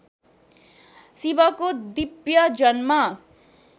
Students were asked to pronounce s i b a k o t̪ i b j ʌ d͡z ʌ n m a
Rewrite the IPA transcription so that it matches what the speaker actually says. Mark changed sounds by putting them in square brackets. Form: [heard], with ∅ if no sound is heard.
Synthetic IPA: s i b [ʌ] k o [d̪] i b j ʌ d͡z ʌ n m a